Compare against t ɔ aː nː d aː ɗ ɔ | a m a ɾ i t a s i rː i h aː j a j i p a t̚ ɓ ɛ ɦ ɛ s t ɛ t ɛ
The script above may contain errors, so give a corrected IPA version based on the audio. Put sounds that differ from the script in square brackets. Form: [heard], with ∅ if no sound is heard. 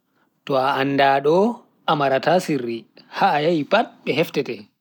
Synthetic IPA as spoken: t ɔ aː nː d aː ɗ ɔ | a m a ɾ [a] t a s i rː i h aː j a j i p a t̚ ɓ ɛ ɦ ɛ [f] t ɛ t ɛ